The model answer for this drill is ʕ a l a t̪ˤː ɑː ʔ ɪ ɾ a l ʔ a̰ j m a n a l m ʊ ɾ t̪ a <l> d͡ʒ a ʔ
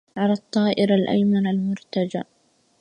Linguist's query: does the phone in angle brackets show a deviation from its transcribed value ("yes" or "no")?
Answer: yes